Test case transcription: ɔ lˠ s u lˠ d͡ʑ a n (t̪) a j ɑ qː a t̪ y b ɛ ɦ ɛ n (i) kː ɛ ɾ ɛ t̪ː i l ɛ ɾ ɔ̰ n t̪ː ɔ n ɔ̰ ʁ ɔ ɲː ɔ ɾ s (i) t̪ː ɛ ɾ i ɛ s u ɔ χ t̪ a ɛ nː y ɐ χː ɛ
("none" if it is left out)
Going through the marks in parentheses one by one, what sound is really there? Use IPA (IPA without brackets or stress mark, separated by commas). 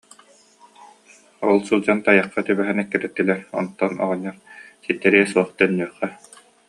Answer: t̪, ɛ, i